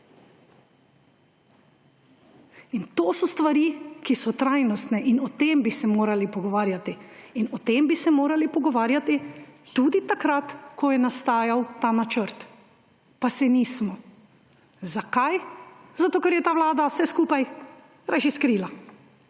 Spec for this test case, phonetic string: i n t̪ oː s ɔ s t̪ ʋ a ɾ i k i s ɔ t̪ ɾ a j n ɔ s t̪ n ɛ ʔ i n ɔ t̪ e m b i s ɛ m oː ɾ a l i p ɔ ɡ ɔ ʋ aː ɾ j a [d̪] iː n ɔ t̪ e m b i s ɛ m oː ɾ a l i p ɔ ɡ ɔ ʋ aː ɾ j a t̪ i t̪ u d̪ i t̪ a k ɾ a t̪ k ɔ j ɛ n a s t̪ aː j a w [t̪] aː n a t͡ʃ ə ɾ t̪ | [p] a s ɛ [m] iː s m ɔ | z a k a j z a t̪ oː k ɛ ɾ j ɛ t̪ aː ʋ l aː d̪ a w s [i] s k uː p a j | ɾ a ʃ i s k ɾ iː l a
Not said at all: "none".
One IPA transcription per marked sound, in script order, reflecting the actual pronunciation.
t̪, t̪, p, n, ɛ

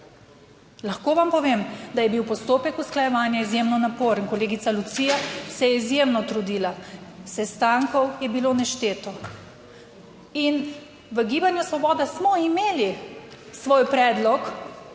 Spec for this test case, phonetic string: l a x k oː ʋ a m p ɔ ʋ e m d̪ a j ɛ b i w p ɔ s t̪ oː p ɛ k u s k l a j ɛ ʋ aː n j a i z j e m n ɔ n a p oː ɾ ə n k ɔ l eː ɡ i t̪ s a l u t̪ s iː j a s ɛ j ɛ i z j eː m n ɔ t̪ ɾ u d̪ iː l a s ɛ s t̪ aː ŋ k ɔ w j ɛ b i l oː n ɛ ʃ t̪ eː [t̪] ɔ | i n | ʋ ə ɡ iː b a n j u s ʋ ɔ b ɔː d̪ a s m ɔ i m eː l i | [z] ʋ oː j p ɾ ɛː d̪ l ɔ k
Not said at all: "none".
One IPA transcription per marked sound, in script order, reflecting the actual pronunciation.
t̪, s

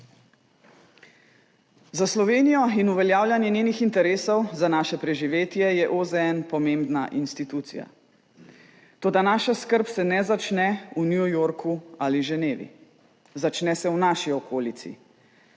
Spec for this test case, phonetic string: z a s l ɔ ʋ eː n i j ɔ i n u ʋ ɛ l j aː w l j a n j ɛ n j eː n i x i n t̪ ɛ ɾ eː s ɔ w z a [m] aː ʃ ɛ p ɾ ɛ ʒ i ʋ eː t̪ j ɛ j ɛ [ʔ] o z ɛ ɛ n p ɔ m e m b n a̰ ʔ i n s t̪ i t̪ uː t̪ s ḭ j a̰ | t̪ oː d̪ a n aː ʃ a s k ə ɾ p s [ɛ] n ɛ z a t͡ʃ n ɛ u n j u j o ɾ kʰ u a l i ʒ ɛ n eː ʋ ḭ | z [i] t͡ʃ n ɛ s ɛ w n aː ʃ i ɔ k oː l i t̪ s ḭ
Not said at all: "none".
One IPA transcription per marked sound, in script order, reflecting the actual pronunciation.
n, ʔ, ɛ, a

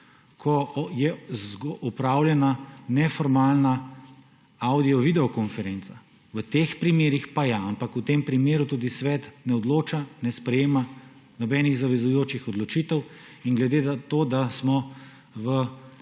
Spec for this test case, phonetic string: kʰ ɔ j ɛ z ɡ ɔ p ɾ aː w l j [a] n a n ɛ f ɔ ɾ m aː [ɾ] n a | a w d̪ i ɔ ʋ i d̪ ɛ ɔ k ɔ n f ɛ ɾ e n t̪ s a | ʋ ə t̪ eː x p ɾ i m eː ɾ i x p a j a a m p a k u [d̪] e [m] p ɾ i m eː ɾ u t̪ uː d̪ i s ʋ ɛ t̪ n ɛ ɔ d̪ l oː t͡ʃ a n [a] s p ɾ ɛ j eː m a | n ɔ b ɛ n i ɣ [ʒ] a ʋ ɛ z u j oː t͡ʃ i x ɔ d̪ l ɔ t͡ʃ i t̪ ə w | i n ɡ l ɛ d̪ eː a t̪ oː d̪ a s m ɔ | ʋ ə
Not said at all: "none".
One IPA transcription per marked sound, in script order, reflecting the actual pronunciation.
ɛ, l, t̪, m, ɛ, z

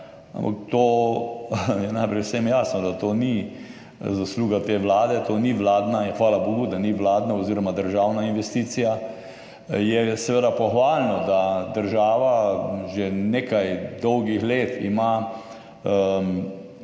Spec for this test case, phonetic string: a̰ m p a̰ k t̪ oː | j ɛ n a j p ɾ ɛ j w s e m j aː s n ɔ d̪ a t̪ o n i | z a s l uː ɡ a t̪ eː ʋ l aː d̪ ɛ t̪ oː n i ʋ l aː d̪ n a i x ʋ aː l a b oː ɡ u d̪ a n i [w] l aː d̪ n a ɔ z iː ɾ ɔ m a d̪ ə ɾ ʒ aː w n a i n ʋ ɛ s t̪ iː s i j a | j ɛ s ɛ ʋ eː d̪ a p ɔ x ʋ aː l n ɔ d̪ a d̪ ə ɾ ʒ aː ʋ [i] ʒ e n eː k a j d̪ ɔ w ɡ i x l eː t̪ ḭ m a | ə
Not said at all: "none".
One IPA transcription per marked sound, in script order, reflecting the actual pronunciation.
ʋ, a

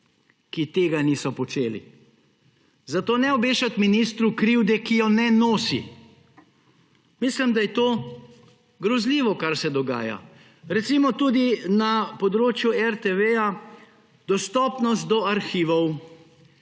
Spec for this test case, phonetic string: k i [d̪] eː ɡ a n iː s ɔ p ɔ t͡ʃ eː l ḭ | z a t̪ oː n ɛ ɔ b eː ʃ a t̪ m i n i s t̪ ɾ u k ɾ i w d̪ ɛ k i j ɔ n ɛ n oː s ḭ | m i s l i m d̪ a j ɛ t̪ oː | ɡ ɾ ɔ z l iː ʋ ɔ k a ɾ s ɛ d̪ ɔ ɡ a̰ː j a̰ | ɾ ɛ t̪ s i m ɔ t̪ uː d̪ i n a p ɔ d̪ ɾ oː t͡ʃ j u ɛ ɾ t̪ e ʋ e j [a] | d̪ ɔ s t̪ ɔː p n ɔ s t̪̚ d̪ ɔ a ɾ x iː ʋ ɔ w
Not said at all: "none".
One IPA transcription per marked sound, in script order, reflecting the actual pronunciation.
t̪, a

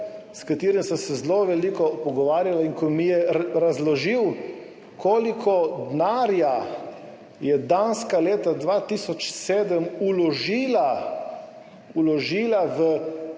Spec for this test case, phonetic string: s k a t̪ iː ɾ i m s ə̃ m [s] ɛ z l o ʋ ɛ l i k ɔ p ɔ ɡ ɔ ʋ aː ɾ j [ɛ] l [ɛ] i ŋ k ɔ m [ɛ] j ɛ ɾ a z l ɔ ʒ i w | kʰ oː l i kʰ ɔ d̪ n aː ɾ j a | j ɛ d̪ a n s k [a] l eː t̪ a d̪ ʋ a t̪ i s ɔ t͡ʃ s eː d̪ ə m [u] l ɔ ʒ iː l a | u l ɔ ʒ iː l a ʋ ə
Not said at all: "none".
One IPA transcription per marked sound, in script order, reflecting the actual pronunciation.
s, a, a, i, a, u

